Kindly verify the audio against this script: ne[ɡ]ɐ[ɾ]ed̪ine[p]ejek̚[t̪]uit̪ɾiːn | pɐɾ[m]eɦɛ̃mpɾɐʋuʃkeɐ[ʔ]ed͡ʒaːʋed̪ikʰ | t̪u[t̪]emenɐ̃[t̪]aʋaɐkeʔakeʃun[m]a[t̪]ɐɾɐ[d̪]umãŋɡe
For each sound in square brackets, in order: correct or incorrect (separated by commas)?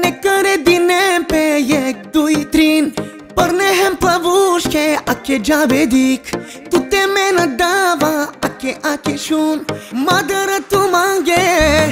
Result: incorrect, correct, correct, incorrect, incorrect, incorrect, correct, incorrect, correct, incorrect, incorrect